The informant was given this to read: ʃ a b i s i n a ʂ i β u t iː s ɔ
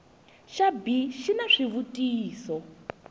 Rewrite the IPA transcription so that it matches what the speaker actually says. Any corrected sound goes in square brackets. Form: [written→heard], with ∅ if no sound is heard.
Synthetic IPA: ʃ a b i [s→ʃ] i n a ʂ i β u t iː s ɔ